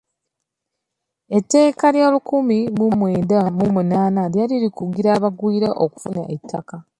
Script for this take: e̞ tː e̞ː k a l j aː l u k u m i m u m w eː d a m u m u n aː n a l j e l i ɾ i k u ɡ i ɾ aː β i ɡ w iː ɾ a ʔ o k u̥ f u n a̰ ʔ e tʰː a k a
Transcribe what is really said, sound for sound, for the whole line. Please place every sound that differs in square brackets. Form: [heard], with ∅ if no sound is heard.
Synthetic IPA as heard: e̞ tː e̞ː k a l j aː l u k u m i m u m w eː d a m u m u n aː n a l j [a] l i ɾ i k u ɡ i ɾ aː β [a] ɡ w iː ɾ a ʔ o k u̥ f u n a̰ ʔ e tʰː a k a